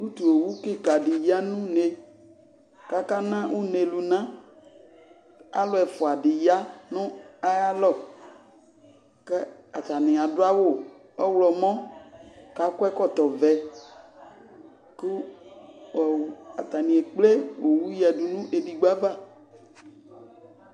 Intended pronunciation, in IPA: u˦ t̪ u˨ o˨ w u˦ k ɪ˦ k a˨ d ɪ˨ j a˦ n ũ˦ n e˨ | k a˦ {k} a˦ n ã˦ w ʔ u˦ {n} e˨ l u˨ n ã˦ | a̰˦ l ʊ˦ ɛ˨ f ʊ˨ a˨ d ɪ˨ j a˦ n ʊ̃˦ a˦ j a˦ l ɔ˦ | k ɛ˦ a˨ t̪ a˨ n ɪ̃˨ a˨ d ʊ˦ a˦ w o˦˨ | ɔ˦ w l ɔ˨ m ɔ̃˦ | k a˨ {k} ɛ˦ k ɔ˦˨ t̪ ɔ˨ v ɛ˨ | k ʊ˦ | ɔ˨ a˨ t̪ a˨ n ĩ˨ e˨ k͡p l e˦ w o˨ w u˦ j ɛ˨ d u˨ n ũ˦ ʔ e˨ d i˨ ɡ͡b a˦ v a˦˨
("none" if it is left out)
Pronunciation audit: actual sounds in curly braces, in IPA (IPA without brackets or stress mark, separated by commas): k, n, k